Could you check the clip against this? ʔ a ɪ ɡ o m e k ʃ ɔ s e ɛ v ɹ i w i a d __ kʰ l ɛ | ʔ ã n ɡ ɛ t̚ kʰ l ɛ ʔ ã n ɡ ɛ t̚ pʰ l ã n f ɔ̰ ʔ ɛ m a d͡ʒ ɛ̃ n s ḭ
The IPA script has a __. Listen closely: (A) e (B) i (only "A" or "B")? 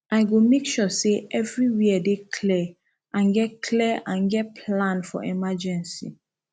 A